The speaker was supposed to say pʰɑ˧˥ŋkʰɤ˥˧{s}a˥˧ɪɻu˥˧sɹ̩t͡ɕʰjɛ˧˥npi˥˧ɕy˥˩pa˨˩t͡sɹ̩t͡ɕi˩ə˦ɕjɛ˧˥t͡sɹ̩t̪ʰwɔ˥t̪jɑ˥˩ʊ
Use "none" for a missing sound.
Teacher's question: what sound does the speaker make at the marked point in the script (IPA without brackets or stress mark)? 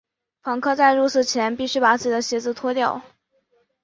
t͡s